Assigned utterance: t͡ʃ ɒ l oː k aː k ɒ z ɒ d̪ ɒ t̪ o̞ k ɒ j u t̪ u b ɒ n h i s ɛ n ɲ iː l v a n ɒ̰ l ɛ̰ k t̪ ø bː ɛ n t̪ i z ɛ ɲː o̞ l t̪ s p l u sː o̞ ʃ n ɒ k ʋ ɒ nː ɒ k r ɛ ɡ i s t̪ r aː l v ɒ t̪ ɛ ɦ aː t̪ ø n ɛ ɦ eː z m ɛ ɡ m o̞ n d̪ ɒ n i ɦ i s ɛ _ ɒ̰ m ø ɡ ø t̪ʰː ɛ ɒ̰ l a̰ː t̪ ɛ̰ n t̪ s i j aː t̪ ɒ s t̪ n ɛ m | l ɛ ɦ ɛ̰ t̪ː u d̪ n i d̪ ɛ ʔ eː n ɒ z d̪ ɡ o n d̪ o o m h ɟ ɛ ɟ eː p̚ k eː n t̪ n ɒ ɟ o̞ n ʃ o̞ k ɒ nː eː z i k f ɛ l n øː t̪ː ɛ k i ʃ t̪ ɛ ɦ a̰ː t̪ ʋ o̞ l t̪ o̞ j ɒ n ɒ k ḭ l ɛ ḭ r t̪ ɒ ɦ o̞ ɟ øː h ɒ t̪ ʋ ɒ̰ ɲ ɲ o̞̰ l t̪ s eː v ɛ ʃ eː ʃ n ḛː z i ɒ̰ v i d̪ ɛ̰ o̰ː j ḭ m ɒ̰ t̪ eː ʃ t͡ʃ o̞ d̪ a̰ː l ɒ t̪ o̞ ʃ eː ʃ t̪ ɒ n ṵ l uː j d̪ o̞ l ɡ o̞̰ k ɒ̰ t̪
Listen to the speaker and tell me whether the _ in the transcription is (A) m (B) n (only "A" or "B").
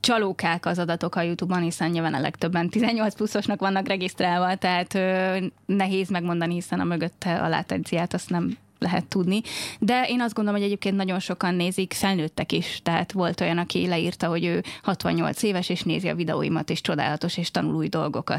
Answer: B